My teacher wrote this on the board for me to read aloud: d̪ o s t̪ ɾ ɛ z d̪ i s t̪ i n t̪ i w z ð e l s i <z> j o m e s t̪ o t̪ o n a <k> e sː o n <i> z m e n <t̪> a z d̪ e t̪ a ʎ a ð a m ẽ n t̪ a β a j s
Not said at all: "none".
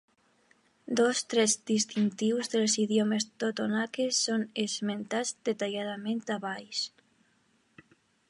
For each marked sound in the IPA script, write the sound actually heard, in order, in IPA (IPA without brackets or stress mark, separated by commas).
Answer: ð, k, e, t̪